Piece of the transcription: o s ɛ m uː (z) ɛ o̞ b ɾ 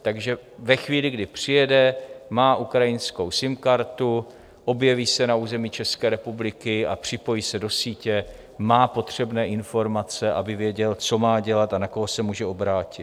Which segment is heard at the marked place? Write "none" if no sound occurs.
ʒ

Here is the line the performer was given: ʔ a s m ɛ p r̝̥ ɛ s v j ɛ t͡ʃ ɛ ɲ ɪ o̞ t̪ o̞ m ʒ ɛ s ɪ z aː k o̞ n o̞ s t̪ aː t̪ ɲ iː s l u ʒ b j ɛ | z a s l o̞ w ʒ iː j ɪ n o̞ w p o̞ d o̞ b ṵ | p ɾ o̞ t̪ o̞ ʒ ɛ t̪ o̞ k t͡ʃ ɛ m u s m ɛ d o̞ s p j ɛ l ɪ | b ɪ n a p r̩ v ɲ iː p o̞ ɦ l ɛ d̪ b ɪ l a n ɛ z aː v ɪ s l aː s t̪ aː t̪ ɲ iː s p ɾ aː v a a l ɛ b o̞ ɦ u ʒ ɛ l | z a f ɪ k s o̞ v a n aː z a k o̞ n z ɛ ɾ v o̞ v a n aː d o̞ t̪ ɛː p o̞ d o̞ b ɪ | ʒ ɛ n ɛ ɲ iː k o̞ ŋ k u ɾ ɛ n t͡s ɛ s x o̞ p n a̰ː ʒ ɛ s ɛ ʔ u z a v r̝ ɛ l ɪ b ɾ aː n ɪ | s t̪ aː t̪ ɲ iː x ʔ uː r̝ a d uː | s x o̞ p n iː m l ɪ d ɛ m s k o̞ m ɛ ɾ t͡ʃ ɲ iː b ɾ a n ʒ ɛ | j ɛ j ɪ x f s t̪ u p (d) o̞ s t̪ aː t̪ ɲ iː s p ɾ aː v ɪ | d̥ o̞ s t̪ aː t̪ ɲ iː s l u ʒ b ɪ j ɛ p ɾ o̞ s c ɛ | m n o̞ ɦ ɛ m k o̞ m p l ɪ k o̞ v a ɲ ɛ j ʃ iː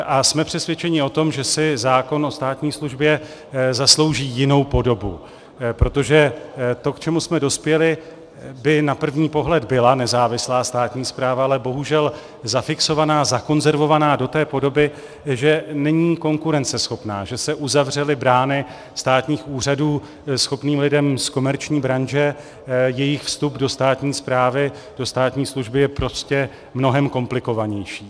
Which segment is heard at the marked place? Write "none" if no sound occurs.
d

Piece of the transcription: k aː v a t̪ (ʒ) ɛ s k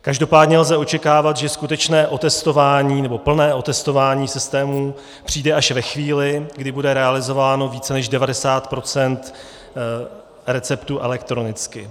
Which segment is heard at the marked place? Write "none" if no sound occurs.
ʒ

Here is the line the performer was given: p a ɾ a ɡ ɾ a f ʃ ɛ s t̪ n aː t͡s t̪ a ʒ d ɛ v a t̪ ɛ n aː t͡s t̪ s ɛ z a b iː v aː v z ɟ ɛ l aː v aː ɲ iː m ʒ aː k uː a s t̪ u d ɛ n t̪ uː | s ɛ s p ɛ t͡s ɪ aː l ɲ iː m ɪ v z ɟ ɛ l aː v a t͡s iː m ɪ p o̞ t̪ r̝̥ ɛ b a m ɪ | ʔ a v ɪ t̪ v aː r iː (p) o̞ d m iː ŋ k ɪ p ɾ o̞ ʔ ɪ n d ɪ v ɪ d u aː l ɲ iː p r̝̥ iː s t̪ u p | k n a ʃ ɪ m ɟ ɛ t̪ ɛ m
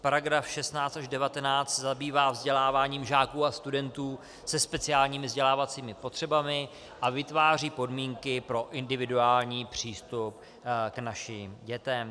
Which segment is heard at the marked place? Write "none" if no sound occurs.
p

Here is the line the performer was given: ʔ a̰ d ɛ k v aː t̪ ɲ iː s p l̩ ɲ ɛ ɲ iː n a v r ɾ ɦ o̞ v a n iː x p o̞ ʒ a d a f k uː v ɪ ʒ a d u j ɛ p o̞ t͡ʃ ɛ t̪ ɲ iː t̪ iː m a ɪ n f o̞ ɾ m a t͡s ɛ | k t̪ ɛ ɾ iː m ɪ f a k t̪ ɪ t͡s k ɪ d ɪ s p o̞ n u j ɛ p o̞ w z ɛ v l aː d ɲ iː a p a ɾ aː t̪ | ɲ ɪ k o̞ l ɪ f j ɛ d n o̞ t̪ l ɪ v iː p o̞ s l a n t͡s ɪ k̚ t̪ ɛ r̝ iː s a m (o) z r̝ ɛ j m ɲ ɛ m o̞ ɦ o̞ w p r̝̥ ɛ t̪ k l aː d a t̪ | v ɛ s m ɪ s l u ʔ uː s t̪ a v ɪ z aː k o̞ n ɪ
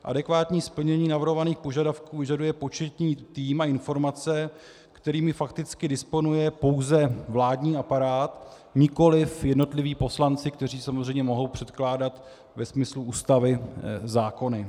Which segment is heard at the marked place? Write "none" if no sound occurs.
o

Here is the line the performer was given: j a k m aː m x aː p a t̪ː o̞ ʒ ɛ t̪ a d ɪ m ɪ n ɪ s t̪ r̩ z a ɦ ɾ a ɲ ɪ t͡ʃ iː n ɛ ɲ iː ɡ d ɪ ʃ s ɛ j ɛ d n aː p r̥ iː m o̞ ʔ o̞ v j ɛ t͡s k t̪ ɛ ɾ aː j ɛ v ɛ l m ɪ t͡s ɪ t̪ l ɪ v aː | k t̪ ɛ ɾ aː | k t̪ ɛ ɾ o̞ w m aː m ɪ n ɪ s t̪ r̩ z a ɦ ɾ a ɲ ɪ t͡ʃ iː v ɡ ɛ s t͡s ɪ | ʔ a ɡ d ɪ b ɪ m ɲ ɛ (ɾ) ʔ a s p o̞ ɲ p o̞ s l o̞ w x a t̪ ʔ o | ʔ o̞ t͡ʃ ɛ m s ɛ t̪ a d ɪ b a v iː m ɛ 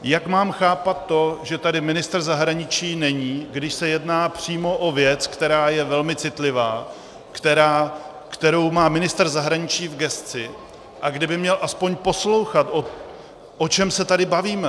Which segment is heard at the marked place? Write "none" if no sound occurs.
l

